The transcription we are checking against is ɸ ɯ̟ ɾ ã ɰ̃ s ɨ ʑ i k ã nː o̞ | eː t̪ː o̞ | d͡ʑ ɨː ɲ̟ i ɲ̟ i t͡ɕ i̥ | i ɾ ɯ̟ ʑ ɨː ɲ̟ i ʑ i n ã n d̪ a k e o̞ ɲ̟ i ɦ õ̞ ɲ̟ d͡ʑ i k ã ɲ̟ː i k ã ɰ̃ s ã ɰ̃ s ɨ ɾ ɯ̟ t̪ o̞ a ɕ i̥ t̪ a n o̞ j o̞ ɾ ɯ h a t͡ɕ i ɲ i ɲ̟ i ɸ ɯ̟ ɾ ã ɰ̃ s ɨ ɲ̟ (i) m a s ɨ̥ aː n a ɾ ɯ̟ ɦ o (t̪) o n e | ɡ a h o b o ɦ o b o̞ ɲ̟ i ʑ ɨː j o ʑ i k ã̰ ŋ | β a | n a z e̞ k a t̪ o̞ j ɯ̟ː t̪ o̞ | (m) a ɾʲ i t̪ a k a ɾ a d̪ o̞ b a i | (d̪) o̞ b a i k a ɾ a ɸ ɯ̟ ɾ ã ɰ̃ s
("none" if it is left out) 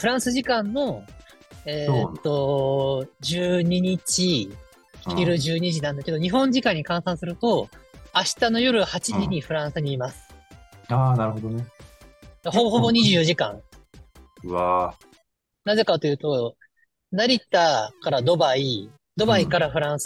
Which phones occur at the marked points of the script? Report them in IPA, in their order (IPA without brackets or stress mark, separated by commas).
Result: iː, d̪, n, d̪